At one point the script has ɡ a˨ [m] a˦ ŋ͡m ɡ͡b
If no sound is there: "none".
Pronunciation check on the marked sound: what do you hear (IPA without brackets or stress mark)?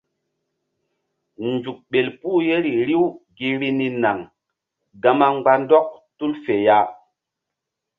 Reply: m